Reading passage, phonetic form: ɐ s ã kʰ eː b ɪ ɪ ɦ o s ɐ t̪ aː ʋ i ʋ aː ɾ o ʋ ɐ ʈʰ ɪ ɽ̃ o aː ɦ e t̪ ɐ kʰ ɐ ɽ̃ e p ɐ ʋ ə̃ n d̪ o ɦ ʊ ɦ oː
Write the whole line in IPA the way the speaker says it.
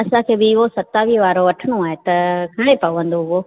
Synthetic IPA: ɐ s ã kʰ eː b ɪ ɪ ɦ o s ɐ t̪ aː ʋ i ʋ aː ɾ o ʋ ɐ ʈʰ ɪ ɽ̃ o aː ɦ e t̪ ɐ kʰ ɐ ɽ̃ e p ɐ ʋ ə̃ n d̪ o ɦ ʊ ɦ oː